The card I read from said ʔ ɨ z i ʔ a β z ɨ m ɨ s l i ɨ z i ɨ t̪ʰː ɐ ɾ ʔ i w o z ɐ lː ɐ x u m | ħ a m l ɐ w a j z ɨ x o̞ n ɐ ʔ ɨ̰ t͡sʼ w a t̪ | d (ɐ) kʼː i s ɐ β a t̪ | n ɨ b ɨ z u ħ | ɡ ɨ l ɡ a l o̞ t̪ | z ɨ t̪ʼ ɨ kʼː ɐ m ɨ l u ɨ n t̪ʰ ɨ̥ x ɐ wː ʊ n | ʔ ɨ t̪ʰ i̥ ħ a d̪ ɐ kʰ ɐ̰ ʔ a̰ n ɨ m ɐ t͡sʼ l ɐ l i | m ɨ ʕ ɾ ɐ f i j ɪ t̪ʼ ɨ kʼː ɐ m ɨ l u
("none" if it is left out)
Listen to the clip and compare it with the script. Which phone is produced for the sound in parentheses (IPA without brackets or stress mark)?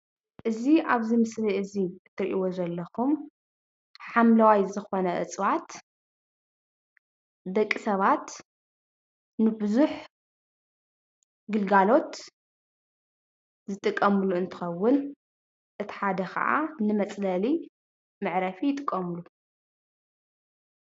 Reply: ɐ